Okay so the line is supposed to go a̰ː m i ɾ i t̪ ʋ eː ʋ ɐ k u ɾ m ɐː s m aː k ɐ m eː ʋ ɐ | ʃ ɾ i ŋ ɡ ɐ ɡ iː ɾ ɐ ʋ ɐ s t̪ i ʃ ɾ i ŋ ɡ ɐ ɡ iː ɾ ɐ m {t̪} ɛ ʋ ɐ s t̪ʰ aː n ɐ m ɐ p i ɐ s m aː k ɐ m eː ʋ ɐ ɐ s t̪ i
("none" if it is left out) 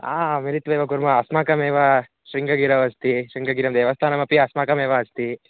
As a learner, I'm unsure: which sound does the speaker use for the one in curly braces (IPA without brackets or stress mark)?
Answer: d̪